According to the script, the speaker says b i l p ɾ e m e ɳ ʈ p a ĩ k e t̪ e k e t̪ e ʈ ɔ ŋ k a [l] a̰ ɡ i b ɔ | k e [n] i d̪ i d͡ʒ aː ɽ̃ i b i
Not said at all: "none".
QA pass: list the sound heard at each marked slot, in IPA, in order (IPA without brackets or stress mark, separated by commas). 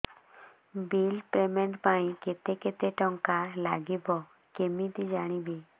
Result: l, m